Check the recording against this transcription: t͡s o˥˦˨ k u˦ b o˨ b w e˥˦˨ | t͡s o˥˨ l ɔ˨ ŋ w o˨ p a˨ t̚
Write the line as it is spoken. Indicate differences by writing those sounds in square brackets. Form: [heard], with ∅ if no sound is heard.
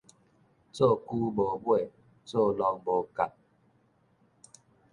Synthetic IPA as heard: t͡s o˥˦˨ k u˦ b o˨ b w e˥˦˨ | t͡s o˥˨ l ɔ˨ ŋ [b] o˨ [k] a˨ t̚